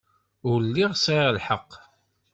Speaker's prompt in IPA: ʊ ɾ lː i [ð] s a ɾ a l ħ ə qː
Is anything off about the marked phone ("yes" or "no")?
yes